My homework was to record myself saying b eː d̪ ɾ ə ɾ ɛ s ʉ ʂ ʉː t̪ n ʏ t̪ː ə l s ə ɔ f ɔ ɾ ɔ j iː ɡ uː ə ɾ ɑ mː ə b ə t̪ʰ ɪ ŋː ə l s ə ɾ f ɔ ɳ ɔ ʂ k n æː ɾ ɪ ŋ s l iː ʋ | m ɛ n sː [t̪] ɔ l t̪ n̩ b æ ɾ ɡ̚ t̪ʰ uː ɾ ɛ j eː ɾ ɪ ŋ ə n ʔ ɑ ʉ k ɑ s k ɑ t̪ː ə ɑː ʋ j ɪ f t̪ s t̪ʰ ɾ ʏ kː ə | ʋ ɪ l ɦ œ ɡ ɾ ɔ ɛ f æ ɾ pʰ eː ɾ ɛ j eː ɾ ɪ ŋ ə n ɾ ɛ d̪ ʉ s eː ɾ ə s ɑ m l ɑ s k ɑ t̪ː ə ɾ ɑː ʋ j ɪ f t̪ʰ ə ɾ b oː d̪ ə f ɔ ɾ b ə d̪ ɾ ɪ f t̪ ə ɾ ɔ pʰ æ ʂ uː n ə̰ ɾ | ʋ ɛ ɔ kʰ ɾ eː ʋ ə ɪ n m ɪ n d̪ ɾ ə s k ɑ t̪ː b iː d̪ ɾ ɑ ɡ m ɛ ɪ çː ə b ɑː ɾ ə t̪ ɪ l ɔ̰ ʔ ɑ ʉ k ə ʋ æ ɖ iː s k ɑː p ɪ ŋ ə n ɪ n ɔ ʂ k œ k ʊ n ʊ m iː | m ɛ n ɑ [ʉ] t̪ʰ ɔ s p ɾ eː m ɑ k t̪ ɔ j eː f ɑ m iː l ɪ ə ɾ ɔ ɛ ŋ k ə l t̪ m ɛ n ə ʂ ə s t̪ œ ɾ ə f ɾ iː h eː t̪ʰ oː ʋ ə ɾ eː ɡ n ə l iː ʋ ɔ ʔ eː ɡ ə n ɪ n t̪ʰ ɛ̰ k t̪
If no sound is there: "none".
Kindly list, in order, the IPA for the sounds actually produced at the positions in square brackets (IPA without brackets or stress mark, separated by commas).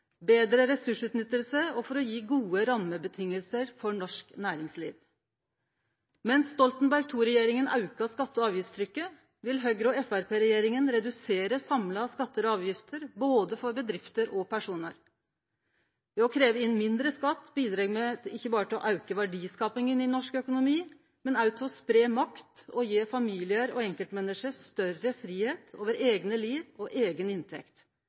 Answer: t̪, ʉ